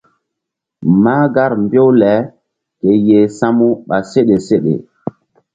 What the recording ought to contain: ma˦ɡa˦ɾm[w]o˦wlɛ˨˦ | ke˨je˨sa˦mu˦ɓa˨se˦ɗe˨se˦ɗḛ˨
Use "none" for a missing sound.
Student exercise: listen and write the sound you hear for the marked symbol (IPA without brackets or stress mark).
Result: b